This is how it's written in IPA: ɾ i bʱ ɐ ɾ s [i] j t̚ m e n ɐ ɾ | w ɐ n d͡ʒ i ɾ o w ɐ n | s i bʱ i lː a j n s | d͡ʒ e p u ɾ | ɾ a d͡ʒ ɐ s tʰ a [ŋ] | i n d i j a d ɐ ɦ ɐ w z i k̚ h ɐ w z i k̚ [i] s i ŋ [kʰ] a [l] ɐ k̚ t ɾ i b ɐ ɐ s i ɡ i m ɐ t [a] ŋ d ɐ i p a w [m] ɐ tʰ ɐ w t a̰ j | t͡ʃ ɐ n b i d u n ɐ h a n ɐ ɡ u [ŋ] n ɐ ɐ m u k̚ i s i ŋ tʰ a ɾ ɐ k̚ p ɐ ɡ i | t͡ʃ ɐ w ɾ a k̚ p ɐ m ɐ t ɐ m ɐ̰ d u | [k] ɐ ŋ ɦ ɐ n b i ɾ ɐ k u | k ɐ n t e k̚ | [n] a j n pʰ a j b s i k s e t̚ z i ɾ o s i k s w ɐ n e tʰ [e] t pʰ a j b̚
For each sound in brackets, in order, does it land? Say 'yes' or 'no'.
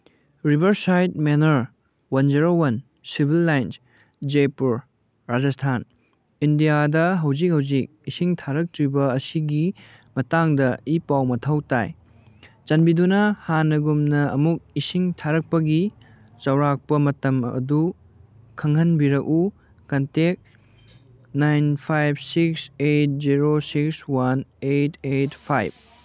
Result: no, no, yes, no, no, yes, yes, no, no, yes, yes

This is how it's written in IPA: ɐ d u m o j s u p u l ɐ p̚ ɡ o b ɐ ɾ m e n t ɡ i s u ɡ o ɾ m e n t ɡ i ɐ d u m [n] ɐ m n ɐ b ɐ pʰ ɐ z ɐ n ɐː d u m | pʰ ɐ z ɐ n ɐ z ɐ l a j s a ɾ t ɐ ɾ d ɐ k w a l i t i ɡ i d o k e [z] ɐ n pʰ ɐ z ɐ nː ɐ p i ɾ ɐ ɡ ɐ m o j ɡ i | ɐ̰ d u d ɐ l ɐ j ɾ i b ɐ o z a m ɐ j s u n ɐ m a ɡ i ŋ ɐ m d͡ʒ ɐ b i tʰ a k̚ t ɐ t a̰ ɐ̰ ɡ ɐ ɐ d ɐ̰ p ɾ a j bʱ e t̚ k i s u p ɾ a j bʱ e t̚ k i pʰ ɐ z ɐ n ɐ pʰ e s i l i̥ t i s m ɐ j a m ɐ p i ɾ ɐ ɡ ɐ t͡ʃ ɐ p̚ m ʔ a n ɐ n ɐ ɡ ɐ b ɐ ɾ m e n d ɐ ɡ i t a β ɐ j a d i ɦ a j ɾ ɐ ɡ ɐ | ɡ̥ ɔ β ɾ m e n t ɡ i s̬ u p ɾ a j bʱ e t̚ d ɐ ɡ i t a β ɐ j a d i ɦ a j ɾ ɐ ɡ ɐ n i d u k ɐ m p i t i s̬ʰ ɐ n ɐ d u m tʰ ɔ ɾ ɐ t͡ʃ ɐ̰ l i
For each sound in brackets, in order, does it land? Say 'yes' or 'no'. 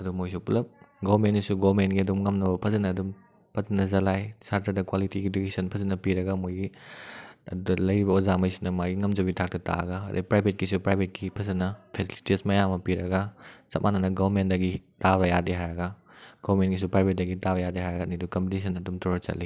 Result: no, no

